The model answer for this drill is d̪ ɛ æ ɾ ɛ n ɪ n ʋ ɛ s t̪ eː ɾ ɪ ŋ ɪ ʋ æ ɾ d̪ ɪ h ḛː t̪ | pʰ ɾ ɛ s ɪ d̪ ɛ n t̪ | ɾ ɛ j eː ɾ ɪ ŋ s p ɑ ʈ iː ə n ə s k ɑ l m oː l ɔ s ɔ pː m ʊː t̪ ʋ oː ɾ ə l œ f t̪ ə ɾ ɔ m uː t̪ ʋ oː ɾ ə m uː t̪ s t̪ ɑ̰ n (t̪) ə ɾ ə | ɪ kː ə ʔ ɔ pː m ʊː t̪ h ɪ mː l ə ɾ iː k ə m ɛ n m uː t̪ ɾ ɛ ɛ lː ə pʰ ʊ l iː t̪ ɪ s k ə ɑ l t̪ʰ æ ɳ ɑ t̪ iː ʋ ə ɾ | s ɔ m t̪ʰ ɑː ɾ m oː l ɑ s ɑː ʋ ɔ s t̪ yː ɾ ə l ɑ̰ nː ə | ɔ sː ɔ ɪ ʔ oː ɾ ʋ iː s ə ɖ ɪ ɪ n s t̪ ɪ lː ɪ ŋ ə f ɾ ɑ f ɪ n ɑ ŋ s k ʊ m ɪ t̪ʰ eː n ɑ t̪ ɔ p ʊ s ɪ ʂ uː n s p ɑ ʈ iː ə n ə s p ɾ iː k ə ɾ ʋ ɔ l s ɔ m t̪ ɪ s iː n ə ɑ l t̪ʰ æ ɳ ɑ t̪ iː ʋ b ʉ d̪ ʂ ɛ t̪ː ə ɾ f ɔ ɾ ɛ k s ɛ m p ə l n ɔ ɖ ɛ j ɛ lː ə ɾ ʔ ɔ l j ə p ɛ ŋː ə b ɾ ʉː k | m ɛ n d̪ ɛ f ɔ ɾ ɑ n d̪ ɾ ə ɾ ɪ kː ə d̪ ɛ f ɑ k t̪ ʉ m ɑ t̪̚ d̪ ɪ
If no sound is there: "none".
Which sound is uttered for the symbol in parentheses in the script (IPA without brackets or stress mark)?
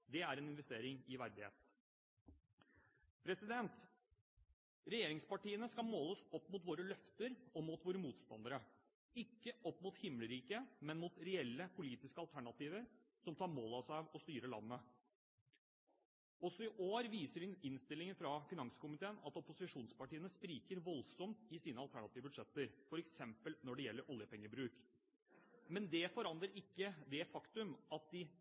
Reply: d̪